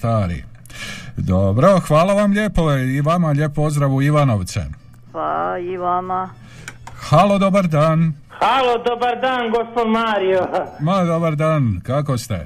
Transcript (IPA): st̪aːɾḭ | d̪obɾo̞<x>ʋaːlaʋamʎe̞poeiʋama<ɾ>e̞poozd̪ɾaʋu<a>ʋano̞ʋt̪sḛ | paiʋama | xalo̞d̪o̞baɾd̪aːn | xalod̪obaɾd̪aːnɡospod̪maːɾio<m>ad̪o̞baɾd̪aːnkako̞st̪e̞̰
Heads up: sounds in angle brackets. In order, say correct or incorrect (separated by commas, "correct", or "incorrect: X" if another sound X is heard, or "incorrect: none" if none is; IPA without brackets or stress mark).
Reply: correct, incorrect: ʎ, incorrect: i, correct